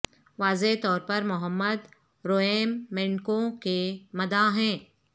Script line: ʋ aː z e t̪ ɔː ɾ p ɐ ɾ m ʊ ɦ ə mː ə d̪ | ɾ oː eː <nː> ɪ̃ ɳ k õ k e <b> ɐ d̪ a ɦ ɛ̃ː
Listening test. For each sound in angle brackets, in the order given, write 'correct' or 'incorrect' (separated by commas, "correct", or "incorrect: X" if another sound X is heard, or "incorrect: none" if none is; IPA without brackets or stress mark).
incorrect: mː, incorrect: m